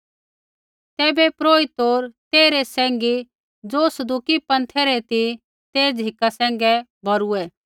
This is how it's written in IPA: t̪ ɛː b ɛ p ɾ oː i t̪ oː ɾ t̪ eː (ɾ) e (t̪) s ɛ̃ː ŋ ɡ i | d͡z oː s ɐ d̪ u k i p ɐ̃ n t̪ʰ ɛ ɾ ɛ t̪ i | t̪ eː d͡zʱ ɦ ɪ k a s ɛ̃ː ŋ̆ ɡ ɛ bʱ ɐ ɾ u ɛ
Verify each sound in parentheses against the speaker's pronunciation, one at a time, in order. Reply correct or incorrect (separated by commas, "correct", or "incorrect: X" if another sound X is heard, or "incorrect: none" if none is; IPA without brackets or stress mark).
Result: correct, incorrect: none